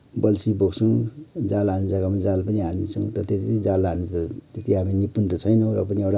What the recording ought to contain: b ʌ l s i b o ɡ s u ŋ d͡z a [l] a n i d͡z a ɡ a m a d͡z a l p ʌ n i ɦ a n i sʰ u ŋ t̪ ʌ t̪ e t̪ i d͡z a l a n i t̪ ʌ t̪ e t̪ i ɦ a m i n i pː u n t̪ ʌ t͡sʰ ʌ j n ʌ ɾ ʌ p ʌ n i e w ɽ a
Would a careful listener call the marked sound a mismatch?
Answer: no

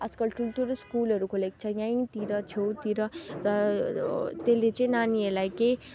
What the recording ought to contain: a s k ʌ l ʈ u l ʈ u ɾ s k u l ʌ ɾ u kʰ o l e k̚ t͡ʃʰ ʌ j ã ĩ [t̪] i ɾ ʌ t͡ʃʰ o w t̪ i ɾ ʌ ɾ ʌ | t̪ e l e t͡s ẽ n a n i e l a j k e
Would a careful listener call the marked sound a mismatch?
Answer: no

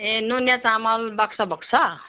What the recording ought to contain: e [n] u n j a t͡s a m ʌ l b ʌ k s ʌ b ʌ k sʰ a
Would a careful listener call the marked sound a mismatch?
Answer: no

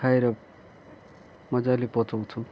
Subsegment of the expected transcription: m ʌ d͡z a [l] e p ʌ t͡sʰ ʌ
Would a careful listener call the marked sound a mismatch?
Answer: no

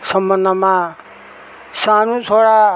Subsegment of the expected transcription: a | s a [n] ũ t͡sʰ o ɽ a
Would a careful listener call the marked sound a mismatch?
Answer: no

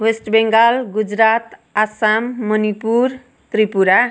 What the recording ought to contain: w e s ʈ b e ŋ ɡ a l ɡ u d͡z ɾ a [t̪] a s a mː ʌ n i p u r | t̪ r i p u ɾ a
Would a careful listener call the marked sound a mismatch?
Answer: no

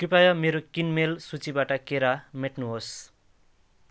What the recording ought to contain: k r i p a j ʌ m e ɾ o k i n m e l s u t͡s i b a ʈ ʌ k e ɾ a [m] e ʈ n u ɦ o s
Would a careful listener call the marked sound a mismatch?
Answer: no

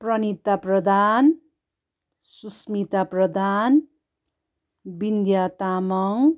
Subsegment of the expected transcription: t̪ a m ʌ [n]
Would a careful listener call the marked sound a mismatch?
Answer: yes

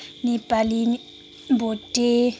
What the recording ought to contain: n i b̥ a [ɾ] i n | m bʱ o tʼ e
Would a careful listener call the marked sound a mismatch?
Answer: yes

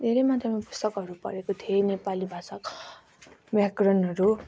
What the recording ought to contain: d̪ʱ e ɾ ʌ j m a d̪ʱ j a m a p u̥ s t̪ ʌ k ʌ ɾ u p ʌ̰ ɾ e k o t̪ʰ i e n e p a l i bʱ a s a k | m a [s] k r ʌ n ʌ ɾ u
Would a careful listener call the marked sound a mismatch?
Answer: yes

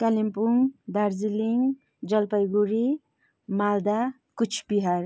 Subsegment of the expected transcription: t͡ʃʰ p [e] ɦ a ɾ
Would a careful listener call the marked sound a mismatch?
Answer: yes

